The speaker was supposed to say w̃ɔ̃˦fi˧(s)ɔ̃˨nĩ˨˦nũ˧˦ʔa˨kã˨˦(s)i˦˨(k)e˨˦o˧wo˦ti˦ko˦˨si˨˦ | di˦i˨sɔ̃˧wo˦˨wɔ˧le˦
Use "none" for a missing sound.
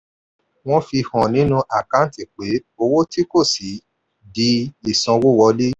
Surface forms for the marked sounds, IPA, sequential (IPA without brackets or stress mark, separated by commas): h, t, k͡p